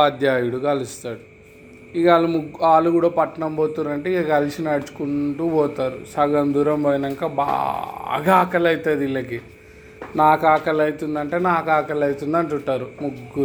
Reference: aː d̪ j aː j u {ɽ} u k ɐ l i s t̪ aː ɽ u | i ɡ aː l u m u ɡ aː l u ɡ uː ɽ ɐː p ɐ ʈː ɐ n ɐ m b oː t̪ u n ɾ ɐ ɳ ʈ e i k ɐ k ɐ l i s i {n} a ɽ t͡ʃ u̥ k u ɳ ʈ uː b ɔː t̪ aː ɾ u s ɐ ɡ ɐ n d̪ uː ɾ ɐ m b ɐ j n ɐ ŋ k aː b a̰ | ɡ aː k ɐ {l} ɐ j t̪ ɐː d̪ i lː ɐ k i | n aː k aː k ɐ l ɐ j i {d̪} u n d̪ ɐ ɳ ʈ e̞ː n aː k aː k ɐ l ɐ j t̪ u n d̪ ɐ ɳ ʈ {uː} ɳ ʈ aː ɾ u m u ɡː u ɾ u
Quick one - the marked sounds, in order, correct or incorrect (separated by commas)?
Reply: correct, correct, correct, incorrect, incorrect